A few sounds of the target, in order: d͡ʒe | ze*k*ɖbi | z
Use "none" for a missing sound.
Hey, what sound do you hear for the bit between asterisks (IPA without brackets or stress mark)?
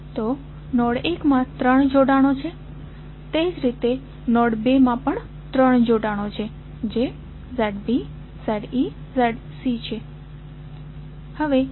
none